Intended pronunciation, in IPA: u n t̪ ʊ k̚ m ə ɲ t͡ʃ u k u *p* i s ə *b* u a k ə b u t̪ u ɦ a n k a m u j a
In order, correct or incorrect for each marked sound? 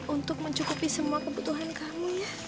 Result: correct, incorrect: m

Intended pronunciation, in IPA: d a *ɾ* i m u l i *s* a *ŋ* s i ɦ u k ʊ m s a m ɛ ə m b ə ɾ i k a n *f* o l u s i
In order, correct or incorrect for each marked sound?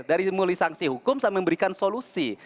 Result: correct, correct, correct, incorrect: s

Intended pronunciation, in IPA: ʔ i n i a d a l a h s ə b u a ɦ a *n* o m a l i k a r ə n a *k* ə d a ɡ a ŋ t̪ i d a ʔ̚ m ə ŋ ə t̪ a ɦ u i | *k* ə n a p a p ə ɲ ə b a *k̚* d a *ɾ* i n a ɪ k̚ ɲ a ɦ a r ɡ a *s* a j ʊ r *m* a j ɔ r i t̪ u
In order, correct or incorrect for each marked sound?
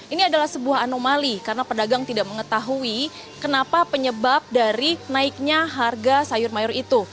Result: correct, incorrect: p, correct, incorrect: p̚, correct, correct, correct

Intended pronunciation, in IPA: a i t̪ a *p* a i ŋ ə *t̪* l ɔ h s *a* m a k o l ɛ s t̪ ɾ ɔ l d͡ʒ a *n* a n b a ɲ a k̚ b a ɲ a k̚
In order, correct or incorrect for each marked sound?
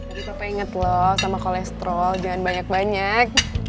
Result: correct, correct, correct, incorrect: ŋ

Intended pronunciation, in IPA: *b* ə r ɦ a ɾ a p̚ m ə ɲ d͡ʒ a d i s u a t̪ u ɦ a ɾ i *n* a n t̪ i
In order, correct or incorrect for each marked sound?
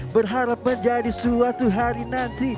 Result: correct, correct

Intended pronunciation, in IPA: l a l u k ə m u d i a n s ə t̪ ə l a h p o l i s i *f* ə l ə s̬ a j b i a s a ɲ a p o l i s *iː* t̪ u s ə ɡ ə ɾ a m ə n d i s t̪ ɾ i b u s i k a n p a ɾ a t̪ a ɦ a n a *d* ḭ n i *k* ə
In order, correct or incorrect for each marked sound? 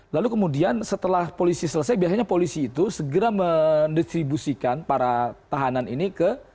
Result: incorrect: s, correct, incorrect: n, correct

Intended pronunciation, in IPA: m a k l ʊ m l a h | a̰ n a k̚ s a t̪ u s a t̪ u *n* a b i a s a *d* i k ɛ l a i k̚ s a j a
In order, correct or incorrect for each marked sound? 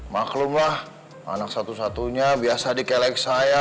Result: incorrect: ɲ, correct

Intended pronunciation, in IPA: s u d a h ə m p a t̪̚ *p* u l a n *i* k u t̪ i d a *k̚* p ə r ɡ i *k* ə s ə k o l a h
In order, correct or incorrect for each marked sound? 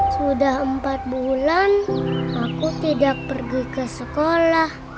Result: incorrect: b, incorrect: a, correct, correct

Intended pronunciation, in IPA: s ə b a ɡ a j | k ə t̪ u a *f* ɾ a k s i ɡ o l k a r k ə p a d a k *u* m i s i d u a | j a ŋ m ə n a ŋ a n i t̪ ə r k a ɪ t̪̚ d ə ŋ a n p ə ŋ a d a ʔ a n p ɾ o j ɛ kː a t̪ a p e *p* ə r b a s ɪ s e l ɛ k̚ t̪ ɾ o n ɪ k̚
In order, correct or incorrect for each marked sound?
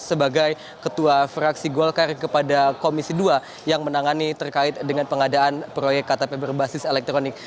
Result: correct, incorrect: o, incorrect: b

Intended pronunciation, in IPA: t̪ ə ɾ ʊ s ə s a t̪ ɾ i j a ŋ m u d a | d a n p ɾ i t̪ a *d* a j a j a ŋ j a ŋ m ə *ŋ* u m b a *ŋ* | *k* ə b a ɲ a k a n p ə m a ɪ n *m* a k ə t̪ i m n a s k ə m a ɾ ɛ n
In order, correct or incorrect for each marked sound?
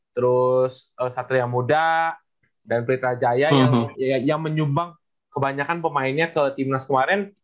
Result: incorrect: d͡ʒ, incorrect: ɲ, correct, correct, incorrect: ɲ

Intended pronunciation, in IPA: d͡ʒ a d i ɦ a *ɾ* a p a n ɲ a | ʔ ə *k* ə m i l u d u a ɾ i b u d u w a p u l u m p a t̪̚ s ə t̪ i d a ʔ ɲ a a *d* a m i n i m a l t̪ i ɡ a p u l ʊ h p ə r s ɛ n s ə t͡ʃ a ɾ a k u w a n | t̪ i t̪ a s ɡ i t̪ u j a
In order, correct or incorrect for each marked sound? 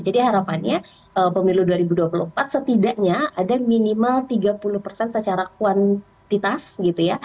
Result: correct, incorrect: p, correct

